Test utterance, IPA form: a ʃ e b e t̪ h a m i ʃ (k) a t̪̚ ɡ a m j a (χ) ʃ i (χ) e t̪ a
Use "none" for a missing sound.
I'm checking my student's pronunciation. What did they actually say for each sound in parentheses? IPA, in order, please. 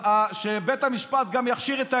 p, χ, ʁ

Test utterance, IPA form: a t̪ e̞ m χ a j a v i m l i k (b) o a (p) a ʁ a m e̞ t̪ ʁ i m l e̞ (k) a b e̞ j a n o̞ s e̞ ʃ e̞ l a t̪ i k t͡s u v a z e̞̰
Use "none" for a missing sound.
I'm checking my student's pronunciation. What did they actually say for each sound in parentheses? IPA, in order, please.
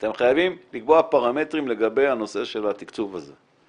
b, p, ɡ

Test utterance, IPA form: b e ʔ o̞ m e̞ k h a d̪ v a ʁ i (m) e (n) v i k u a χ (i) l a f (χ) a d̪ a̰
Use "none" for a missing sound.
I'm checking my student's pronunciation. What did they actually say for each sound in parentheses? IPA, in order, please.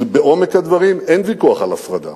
m, n, a, ʁ

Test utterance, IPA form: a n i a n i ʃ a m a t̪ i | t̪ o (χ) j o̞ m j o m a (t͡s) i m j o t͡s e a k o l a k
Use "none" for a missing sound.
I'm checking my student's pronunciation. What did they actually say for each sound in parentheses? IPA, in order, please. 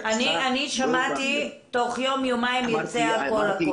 χ, none

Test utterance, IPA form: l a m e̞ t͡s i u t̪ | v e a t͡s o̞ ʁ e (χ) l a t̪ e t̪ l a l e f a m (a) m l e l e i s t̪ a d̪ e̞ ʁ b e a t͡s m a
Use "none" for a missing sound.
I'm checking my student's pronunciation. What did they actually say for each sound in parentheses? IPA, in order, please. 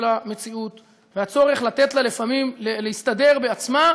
χ, i

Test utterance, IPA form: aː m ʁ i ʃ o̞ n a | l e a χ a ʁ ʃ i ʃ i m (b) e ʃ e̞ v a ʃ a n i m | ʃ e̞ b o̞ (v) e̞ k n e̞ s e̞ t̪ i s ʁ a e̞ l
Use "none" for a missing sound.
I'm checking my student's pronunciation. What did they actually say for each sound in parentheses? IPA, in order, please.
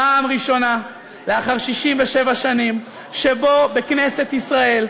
v, b

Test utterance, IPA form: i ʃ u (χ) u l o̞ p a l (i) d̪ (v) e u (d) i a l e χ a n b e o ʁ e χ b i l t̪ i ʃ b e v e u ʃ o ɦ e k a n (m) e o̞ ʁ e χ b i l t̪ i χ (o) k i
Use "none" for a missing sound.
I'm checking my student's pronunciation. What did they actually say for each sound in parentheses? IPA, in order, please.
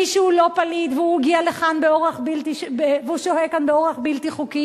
none, i, v, ɡ, b, u

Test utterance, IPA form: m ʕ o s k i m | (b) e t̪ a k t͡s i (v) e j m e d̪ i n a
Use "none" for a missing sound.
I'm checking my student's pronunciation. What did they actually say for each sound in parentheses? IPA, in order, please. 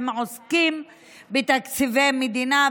b, v

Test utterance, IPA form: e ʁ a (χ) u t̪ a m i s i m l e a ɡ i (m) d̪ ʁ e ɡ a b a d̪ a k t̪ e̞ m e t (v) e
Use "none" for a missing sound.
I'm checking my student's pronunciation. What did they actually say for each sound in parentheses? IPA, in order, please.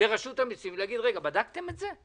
ʃ, none, z

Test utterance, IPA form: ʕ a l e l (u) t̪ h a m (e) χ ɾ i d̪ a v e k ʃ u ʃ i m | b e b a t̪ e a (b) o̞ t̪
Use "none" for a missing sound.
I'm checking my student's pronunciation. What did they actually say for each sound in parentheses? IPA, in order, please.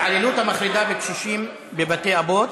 u, a, b

